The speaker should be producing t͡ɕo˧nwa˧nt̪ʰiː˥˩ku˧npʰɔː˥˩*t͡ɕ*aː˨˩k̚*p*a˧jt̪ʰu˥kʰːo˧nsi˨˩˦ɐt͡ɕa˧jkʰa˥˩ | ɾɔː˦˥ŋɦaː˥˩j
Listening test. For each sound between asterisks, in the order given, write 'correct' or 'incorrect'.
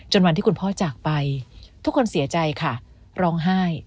correct, correct

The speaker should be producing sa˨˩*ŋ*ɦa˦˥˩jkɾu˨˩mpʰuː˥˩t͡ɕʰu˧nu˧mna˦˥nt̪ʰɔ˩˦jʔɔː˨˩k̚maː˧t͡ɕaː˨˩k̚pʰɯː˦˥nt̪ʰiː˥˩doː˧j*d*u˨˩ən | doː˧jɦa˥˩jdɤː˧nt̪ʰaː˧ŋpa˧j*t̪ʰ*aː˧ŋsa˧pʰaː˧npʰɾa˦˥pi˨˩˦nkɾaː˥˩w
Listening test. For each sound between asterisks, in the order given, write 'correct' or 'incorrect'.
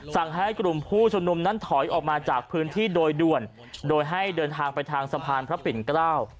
correct, correct, correct

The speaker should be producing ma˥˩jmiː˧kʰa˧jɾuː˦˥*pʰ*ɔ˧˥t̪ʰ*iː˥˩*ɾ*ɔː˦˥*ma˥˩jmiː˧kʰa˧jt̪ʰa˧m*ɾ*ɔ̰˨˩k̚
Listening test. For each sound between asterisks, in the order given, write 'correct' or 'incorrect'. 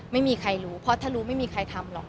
correct, incorrect: aː˥˩, incorrect: uː˦˥, incorrect: l

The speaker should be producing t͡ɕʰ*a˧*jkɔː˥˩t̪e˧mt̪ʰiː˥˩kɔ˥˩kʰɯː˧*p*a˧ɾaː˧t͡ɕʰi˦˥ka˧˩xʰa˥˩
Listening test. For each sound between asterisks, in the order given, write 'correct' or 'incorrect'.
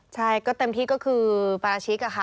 incorrect: a˥˩, correct

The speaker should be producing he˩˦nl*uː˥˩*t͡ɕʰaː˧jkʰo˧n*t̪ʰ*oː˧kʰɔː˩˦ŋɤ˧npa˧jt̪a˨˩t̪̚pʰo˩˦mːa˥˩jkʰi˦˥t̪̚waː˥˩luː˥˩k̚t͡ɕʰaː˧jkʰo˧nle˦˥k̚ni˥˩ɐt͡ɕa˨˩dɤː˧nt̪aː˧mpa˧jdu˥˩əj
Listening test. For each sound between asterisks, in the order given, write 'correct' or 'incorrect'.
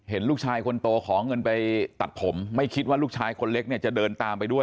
correct, incorrect: t̪

